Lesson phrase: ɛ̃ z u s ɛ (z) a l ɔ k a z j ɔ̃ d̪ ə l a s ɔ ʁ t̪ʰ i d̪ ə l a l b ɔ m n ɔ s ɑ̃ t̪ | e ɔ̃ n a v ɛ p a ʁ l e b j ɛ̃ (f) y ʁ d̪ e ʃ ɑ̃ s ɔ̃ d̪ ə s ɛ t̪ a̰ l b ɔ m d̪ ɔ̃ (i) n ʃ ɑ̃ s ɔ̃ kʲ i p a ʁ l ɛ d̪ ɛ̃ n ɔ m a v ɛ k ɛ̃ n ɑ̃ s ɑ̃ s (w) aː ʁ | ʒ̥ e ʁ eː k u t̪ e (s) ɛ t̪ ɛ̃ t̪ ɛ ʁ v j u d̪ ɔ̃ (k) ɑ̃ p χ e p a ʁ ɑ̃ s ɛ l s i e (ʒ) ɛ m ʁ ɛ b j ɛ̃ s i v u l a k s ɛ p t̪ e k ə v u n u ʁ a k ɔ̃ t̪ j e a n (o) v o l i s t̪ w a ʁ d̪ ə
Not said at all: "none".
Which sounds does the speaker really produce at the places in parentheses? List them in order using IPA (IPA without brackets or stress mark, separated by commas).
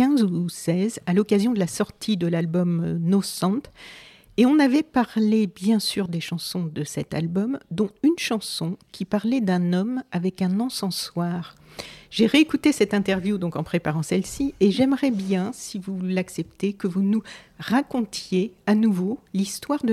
z, s, y, w, s, k, ʒ, u